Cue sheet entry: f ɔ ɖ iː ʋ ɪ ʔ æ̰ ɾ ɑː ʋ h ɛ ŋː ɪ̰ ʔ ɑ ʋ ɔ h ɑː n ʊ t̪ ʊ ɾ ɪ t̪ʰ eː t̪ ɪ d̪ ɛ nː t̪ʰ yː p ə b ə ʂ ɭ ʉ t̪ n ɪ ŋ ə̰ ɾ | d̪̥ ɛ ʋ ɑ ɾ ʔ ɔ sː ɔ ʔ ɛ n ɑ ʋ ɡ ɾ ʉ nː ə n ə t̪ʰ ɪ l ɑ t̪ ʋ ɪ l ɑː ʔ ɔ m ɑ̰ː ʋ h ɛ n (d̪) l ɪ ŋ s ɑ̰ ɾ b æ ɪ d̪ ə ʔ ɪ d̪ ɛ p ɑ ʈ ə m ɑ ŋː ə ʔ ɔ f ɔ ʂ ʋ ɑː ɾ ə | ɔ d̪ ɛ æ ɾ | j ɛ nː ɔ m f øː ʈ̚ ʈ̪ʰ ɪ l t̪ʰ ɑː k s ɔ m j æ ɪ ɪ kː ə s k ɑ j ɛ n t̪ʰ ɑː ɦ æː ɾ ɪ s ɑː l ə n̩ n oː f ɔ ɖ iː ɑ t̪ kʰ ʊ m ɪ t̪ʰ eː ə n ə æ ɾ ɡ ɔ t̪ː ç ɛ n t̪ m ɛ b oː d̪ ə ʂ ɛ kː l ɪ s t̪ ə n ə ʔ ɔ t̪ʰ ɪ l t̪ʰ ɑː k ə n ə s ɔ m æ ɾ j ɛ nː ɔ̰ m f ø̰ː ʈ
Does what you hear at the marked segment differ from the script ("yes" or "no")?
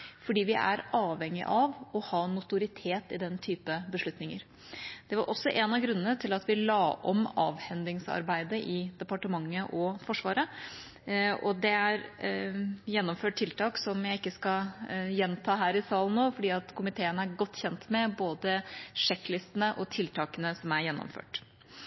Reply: no